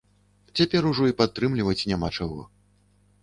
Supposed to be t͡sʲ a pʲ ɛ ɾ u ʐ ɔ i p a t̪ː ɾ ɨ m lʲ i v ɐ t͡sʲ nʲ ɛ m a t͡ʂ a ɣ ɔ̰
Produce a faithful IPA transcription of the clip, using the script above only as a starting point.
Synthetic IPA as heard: t͡sʲ a pʲ ɛ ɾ u ʐ ɔ i p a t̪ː ɾ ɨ m lʲ i v ɐ t͡sʲ nʲ a m a t͡ʂ a ɣ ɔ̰